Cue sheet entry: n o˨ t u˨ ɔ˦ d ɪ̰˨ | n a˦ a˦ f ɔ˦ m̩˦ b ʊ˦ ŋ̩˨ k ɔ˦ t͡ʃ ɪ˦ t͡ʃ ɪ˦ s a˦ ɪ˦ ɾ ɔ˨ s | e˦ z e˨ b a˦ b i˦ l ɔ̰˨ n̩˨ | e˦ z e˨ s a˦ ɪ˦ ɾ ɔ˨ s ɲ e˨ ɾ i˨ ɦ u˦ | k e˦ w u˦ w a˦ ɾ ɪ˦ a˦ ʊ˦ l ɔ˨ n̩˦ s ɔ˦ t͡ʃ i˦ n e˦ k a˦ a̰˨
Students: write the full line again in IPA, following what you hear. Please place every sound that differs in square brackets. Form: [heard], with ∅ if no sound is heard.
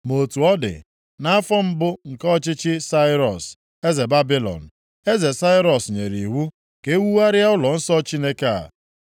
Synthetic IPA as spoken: [m] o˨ t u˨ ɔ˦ d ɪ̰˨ | n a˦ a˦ f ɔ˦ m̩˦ b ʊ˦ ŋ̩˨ k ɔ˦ t͡ʃ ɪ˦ t͡ʃ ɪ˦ s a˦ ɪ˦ ɾ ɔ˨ s | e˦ z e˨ b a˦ b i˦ l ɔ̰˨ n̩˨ | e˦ z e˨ s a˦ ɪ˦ ɾ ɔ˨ s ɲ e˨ ɾ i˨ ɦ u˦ | k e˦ w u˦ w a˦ ɾ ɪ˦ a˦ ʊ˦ l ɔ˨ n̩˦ s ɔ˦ t͡ʃ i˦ n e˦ k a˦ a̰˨